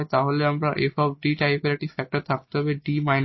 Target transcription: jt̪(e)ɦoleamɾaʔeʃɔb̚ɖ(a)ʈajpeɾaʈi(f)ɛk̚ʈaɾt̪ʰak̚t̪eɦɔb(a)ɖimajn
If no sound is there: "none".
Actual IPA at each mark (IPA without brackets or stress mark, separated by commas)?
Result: a, i, f, e